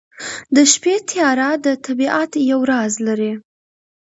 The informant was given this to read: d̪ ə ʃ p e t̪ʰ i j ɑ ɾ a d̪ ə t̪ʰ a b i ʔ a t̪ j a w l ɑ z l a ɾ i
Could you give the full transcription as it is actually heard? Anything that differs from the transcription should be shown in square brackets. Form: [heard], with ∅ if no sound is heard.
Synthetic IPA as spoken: d̪ ə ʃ p e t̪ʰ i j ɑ ɾ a d̪ ə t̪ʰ a b i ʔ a t̪ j a w [ɾ] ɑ z l a ɾ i